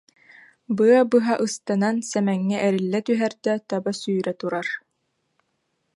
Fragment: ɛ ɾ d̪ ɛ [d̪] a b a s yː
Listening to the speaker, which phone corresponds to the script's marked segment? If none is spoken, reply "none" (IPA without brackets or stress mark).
t̪